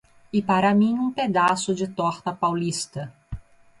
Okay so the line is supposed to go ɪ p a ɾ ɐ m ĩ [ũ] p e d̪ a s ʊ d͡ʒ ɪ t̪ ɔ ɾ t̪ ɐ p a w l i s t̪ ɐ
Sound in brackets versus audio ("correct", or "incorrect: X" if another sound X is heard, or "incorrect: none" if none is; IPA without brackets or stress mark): correct